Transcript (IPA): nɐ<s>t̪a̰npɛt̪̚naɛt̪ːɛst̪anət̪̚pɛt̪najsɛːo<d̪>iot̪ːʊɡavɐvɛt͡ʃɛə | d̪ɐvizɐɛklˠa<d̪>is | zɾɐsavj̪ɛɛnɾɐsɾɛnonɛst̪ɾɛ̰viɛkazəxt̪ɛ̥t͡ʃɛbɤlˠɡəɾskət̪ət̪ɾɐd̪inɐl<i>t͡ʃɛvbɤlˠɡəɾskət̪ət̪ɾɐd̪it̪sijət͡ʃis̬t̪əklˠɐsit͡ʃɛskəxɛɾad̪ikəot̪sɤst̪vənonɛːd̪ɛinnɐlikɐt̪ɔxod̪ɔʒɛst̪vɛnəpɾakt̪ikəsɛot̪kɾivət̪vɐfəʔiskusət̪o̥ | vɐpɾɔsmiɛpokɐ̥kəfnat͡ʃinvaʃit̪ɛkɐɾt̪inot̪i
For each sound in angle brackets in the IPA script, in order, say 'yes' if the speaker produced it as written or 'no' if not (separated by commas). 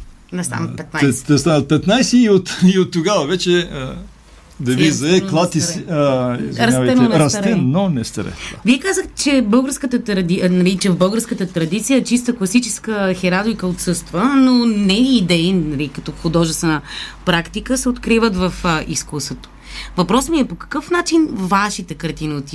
yes, no, no, yes